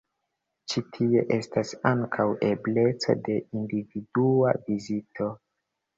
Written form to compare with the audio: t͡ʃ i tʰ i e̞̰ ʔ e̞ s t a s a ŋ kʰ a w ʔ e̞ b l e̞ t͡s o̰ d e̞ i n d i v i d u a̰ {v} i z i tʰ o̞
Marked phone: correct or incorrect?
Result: correct